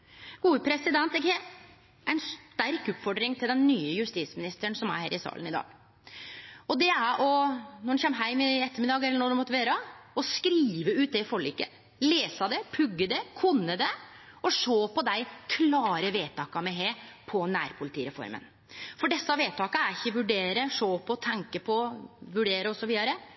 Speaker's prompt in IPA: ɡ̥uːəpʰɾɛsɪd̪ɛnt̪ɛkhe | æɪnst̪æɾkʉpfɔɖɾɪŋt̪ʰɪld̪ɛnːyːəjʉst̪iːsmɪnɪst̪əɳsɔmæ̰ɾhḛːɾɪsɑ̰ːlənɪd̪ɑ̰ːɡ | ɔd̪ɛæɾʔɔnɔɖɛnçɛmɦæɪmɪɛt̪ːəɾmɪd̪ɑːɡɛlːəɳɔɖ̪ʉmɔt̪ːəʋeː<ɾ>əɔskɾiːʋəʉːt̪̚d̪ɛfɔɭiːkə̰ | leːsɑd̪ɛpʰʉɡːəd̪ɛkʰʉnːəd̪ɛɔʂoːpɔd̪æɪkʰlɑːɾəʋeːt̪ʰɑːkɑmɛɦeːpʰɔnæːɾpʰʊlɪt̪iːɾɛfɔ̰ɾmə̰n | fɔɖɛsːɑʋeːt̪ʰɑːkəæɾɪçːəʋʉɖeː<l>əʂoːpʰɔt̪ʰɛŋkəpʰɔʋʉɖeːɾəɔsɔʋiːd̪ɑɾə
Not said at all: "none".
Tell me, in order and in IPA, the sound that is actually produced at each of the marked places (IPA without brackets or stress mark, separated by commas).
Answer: ɾ, ɾ